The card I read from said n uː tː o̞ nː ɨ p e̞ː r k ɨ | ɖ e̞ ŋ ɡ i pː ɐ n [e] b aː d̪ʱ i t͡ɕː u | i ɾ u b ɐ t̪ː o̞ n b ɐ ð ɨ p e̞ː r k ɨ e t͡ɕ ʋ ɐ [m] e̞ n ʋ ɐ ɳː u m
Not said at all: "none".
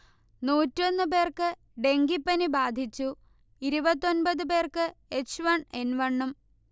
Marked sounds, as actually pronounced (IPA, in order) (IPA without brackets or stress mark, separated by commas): i, ɳ